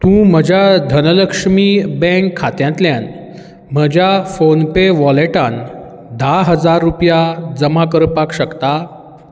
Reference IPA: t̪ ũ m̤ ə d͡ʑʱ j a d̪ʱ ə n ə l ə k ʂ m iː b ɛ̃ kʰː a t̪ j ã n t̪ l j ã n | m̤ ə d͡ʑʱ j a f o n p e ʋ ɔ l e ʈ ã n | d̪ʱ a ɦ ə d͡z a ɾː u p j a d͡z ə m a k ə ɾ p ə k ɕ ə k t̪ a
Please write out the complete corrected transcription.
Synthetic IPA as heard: t̪ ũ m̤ ə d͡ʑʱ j a d̪ʱ ə n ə l ə k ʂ m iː b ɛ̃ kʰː a t̪ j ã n t̪ l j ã n | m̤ ə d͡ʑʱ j a f o n p e ʋ ɔ l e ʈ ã n | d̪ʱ a ɦ ə d͡z a ɾː u p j a d͡z ə m a k ə ɾ p a k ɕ ə k t̪ a

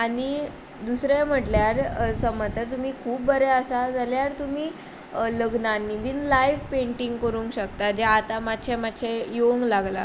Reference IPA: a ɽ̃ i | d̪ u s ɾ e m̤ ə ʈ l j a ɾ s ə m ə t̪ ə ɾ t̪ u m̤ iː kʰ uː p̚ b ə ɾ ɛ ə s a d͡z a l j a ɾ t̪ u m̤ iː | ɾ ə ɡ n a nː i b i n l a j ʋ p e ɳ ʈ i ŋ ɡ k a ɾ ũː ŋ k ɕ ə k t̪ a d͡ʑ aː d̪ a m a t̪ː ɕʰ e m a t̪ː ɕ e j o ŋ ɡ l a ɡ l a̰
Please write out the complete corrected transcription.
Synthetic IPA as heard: a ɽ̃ i | d̪ u s ɾ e m̤ ə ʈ l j a ɾ s ə m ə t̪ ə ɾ t̪ u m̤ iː kʰ uː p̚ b ə ɾ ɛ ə s a d͡z a l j a ɾ t̪ u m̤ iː | l ə ɡ n a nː i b i n l a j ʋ p e ɳ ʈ i ŋ ɡ k ə ɾ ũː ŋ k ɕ ə k t̪ a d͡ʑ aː t̪ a m a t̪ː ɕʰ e m a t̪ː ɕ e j o ŋ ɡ l a ɡ l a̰

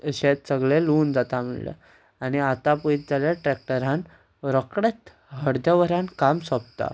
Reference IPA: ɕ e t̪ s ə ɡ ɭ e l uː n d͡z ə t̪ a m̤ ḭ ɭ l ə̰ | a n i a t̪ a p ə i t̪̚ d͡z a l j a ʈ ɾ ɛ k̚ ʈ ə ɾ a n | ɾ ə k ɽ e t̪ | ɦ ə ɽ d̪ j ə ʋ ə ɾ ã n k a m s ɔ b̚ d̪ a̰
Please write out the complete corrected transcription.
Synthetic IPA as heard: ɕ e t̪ s ə ɡ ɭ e l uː n d͡z a t̪ a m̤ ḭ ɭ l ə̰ | a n i a t̪ a p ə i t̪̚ d͡z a l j a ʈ ɾ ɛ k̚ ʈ ə ɾ a n | ɾ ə k ɽ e t̪ | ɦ ə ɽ d̪ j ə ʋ ə ɾ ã n k a m s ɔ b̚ t̪ a̰

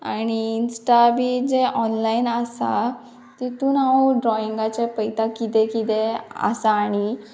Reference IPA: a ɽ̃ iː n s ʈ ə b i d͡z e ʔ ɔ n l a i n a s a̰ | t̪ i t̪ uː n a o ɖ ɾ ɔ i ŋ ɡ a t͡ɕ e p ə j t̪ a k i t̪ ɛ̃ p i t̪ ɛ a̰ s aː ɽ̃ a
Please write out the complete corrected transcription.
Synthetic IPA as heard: a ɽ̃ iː n s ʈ a b i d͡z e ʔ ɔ n l a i n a s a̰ | t̪ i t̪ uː n a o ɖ ɾ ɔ i ŋ ɡ a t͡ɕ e p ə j t̪ a k i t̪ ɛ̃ k i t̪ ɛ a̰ s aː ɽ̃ i

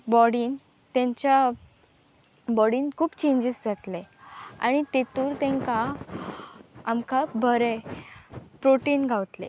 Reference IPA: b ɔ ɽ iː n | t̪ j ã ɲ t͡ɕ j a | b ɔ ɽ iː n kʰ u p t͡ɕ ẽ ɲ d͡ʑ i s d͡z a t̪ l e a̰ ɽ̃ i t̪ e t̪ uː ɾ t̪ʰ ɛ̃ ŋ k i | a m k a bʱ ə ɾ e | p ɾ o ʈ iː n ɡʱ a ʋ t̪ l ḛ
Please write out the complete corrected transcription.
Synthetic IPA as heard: b ɔ ɽ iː n | t̪ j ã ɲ t͡ɕ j a | b ɔ ɽ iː n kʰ uː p t͡ɕ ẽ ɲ d͡ʑ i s d͡z a t̪ l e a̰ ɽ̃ i t̪ e t̪ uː ɾ t̪ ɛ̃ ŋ k a | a m k a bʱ ə ɾ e | p ɾ o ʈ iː n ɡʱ a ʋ t̪ l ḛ

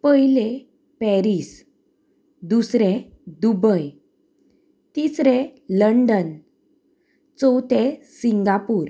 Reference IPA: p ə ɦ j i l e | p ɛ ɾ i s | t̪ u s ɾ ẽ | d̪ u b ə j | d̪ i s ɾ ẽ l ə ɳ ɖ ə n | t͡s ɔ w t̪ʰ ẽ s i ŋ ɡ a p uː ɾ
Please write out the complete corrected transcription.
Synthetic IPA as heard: p ə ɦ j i l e | p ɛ ɾ i s | d̪ u s ɾ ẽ | d̪ u b ə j | t̪ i s ɾ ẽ l ə ɳ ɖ ə n | t͡s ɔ w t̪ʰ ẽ s i ŋ ɡ a p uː ɾ

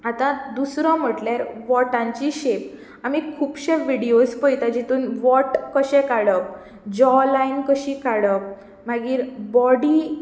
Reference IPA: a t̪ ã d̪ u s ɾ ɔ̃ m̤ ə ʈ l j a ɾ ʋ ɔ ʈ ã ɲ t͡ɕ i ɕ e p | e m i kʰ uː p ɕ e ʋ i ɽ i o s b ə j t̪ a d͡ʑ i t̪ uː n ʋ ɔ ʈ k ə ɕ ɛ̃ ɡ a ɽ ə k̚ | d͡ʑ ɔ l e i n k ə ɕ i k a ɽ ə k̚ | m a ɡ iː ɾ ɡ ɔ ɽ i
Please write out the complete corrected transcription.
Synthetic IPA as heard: a t̪ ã d̪ u s ɾ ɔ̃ m̤ ə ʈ l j a ɾ ʋ ɔ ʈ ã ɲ t͡ɕ i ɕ e p | a m i kʰ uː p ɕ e ʋ i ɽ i o s p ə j t̪ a d͡ʑ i t̪ uː n ʋ ɔ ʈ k ə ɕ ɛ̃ k a ɽ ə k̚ | d͡ʑ ɔ l a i n k ə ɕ i k a ɽ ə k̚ | m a ɡ iː ɾ b ɔ ɽ i

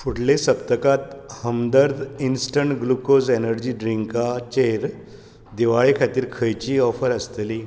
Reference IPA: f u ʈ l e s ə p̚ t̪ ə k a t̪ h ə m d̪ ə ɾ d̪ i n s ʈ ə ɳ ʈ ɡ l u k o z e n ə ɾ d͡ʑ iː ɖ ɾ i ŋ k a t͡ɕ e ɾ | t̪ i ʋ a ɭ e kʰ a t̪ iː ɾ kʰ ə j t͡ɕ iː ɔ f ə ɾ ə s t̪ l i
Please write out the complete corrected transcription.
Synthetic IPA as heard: f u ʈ l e s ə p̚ t̪ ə k a t̪ h ə m d̪ ə ɾ d̪ i n s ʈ ə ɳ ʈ ɡ l u k o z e n ə ɾ d͡ʑ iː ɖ ɾ i ŋ k a t͡ɕ e ɾ | d̪ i ʋ a ɭ e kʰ a t̪ iː ɾ kʰ ə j t͡ɕ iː ɔ f ə ɾ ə s t̪ l i

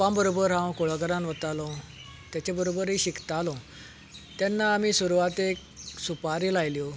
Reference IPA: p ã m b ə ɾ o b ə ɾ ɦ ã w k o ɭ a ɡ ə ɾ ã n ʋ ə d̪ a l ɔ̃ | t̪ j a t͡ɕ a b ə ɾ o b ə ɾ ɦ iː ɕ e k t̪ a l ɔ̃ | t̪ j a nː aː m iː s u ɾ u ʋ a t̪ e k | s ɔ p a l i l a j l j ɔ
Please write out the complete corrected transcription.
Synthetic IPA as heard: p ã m b ə ɾ o b ə ɾ ɦ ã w k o ɭ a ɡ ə ɾ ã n ʋ ə t̪ a l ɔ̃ | t̪ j a t͡ɕ a b ə ɾ o b ə ɾ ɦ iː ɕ i k t̪ a l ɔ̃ | t̪ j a nː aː m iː s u ɾ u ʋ a t̪ e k | s u p a ɾ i l a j l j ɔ

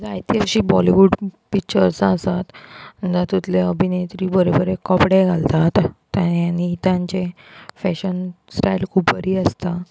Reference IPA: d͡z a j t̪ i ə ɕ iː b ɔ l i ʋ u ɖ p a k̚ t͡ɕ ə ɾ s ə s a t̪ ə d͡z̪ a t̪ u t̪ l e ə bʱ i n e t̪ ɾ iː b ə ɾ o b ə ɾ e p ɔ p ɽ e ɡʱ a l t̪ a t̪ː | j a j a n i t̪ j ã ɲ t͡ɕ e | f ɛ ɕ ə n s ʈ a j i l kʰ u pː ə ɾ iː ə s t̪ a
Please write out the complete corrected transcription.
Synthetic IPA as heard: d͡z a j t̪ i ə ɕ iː b ɔ l i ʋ u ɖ p i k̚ t͡ɕ ə ɾ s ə s a t̪ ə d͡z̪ a t̪ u t̪ l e ə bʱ i n e t̪ ɾ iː b ə ɾ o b ə ɾ e k ɔ p ɽ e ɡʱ a l t̪ a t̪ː | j a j a n i t̪ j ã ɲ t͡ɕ e | f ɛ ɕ ə n s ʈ a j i l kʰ u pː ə ɾ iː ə s t̪ a

